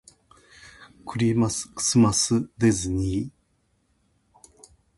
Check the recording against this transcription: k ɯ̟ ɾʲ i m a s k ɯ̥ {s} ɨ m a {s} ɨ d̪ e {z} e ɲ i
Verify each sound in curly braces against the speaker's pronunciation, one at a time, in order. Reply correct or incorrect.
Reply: correct, correct, correct

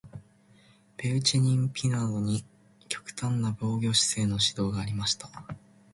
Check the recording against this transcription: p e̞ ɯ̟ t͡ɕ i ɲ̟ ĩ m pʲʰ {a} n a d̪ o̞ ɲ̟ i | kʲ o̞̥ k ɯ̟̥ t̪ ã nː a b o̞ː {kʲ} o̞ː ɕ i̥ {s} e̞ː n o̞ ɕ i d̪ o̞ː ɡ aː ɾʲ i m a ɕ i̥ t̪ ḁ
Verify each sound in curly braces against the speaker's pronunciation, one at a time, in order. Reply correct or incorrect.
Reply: incorrect: i, incorrect: ɡʲ, correct

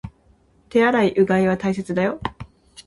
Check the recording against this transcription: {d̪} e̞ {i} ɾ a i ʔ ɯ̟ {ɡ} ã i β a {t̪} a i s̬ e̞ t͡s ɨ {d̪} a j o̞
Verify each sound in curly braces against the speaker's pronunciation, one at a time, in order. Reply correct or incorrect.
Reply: incorrect: t̪, incorrect: a, correct, correct, correct

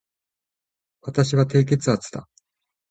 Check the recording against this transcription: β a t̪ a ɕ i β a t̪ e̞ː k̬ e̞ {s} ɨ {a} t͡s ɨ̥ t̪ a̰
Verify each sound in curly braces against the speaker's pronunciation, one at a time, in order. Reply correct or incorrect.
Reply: incorrect: t͡s, correct

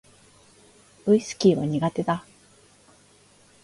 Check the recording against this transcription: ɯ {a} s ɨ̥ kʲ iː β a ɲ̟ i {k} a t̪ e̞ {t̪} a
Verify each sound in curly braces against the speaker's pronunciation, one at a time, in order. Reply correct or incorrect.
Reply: incorrect: i, incorrect: ɡ, incorrect: d̪

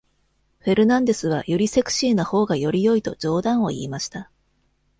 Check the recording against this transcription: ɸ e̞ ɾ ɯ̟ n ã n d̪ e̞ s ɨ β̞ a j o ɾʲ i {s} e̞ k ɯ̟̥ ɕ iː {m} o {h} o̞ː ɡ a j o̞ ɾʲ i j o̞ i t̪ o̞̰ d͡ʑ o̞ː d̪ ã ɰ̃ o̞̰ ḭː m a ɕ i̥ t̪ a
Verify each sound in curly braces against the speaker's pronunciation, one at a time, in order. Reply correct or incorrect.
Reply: correct, incorrect: n, correct

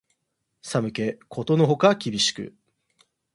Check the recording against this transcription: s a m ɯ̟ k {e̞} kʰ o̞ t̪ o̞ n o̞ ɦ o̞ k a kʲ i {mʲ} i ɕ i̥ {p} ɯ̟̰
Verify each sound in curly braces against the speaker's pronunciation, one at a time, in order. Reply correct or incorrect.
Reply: correct, incorrect: bʲ, incorrect: k

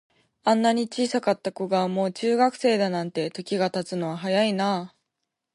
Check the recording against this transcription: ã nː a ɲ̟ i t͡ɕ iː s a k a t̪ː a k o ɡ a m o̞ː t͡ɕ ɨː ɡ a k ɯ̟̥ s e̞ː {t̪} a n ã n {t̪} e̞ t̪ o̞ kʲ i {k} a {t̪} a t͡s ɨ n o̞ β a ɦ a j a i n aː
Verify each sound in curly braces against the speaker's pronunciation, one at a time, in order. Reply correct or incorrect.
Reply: incorrect: d̪, correct, incorrect: ɡ, correct

